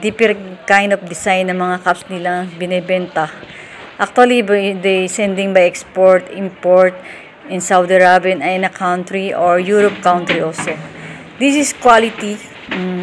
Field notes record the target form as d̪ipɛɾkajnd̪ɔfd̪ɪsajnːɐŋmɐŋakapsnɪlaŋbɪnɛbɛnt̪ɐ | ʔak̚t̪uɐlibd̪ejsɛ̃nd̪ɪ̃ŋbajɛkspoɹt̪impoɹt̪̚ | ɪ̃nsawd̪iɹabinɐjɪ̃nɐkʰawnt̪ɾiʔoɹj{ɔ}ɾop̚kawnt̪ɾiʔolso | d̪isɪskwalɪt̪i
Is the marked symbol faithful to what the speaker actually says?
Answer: no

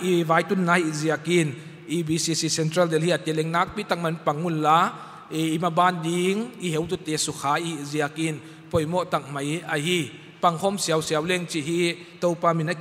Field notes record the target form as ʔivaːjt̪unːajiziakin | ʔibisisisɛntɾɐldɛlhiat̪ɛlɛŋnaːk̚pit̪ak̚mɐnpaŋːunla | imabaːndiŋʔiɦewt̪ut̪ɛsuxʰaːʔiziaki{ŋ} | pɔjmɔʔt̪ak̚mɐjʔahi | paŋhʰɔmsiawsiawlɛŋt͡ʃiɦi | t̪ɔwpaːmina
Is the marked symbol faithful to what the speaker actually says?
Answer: no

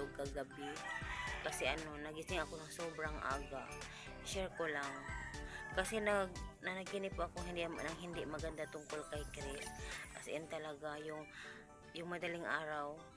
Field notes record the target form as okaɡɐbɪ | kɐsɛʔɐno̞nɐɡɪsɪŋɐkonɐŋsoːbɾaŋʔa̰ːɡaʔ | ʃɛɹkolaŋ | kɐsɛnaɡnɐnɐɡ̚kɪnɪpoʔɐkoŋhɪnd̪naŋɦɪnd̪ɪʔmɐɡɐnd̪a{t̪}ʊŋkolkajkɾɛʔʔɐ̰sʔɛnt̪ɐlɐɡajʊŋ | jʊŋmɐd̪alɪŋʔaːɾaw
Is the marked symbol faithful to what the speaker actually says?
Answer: yes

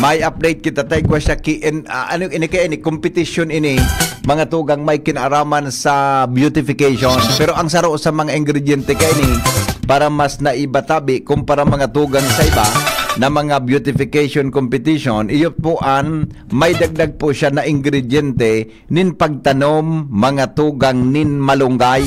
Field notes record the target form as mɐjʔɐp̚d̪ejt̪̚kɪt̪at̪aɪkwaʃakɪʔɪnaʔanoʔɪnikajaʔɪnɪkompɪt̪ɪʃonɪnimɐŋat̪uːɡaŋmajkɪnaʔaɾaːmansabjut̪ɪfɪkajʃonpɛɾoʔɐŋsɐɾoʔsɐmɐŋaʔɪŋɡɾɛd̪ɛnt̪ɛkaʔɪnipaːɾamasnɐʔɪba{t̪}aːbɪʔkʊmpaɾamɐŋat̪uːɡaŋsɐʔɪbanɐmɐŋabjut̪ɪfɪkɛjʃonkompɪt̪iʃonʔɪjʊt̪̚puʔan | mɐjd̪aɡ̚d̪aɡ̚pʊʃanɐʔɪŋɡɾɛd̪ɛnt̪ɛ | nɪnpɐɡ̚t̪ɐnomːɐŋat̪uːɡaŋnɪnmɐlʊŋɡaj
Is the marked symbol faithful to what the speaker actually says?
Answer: yes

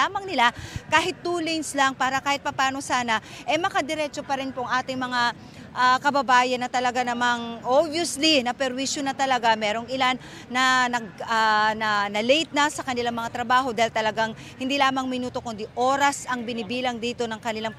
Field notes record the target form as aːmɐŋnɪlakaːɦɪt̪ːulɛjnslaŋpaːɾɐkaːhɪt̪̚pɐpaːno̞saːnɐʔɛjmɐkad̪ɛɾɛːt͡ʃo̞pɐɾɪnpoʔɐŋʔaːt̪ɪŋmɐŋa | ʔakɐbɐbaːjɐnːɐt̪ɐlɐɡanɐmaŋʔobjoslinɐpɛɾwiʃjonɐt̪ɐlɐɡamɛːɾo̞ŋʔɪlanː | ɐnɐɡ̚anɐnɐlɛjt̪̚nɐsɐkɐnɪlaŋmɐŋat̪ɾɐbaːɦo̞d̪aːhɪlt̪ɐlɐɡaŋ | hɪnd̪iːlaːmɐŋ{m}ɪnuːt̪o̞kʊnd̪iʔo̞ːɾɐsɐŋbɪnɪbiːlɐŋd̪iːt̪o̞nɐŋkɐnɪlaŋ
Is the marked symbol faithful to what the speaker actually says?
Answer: yes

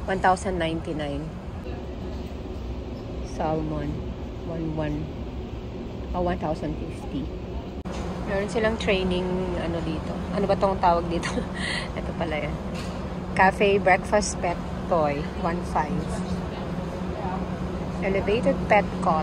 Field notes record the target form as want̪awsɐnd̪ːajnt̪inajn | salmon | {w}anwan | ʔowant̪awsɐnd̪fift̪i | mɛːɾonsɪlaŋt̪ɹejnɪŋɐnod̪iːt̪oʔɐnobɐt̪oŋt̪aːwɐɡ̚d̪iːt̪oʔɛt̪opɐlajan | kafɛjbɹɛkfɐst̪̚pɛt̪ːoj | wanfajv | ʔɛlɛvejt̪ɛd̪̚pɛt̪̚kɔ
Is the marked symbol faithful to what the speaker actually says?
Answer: yes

